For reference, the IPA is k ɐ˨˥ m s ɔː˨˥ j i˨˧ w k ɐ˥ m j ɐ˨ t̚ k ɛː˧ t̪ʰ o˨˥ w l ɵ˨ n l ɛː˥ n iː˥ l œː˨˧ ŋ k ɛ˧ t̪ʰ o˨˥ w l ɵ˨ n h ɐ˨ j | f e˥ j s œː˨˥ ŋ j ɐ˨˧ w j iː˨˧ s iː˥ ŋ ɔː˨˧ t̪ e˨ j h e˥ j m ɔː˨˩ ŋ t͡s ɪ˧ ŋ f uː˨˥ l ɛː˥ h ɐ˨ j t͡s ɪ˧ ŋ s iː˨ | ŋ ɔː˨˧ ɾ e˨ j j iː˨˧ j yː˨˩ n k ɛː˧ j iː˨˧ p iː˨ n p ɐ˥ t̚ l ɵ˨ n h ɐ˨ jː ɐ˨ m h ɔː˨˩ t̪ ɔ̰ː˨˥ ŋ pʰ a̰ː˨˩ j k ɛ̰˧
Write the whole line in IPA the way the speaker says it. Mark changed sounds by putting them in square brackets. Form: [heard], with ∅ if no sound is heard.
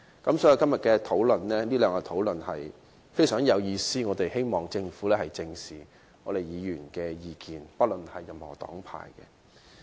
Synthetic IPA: k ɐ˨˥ m s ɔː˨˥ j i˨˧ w k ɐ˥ m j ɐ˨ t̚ k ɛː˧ t̪ʰ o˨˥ w l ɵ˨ n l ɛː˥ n iː˥ l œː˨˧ ŋ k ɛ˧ t̪ʰ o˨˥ w l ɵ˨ n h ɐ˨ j | f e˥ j s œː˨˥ ŋ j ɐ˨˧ w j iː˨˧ s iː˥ ŋ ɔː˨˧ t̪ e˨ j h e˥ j m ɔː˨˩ ŋ t͡s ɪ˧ ŋ f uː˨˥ l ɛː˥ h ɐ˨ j t͡s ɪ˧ ŋ s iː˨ | ŋ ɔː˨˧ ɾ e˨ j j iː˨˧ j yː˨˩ n k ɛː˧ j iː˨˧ [k] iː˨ n p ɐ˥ t̚ l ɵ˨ n h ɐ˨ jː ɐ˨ m h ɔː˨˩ t̪ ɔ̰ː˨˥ ŋ pʰ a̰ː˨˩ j k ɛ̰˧